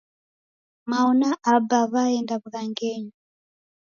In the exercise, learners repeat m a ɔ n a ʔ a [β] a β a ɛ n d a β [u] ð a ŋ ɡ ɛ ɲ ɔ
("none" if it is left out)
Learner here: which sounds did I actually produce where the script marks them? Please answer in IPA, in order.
b, u

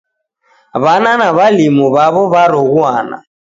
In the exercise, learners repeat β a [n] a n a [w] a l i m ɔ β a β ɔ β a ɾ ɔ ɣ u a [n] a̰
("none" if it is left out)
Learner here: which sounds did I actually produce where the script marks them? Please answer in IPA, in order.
n, β, n

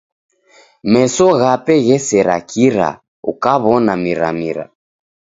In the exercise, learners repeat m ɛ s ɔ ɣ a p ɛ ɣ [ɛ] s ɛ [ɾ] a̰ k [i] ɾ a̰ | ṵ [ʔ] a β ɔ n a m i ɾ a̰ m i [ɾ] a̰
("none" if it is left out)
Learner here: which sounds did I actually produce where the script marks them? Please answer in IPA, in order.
ɛ, ɾ, i, k, ɾ

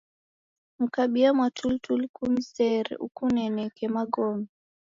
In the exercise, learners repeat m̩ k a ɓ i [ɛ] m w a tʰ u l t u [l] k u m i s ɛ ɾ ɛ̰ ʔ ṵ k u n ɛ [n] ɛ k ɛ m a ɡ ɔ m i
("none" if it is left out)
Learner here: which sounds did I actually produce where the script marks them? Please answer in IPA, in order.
a, l, n

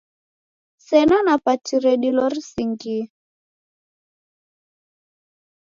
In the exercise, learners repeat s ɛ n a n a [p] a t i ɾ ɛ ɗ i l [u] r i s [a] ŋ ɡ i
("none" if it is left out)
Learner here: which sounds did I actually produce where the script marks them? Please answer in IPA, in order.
p, ɔ, i

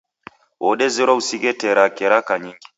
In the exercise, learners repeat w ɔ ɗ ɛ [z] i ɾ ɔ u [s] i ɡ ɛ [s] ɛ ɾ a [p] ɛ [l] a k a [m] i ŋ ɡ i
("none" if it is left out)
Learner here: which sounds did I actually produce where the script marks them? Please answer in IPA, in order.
z, s, t, k, ɾ, ɲ

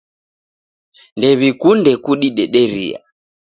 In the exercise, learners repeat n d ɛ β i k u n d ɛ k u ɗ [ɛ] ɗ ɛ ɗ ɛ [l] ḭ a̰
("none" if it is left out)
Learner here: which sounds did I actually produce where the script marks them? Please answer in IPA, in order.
i, ɾ

